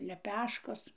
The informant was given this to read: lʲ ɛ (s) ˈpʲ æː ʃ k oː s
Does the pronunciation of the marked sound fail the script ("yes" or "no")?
yes